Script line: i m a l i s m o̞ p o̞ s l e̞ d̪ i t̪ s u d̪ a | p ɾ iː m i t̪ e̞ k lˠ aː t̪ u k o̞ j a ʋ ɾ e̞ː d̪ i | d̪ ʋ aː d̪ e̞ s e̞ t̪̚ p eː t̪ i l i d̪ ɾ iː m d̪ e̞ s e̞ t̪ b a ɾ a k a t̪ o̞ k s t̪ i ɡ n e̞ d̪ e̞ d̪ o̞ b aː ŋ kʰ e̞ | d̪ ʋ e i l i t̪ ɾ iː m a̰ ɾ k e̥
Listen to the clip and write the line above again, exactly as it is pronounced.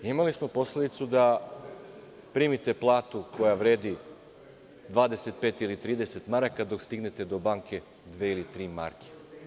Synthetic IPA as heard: i m a l i s m o̞ p o̞ s l e̞ d̪ i t̪ s u d̪ a | p ɾ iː m i t̪ e̞ p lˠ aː t̪ u k o̞ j a ʋ ɾ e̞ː d̪ i | d̪ ʋ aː d̪ e̞ s e̞ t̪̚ p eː t̪ i l i t̪ ɾ iː d̪ e̞ s e̞ t̪ m a ɾ a k a d̪ o̞ k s t̪ i ɡ n e̞ t̪ e̞ d̪ o̞ b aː ŋ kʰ e̞ | d̪ ʋ e i l i t̪ ɾ iː m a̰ ɾ k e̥